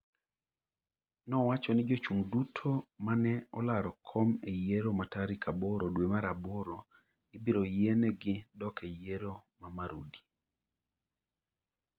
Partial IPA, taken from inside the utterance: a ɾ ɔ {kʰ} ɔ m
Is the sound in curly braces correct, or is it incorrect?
correct